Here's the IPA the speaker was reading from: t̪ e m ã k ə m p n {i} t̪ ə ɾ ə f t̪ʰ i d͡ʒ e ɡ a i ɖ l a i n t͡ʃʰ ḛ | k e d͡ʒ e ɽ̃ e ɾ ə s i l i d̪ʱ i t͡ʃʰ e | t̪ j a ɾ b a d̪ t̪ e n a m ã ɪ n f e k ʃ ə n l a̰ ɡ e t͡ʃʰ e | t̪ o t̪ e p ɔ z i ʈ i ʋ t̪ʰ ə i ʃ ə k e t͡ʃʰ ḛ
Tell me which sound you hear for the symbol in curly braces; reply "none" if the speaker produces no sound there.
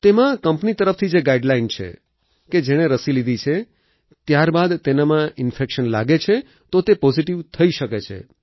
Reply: i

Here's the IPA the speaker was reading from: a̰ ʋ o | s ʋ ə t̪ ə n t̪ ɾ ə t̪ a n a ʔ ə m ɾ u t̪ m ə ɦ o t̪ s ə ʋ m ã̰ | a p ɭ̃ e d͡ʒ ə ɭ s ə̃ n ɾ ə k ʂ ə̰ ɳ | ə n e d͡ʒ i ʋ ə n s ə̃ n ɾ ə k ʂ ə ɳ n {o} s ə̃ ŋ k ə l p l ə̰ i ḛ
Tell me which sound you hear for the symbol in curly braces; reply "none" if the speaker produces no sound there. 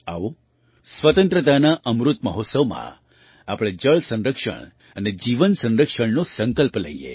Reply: o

